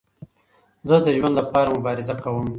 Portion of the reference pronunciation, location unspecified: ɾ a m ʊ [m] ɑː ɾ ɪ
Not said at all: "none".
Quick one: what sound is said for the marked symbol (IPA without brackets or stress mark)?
b